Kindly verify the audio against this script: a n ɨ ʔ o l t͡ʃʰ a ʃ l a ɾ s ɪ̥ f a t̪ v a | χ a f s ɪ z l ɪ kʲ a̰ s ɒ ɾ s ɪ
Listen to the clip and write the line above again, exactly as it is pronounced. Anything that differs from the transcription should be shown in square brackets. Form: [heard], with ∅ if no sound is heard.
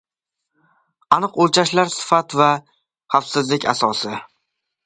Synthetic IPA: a n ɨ [q] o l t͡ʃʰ a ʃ l a ɾ s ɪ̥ f a t̪ v a | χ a f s ɪ z l ɪ kʲ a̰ s ɒ [∅] s ɪ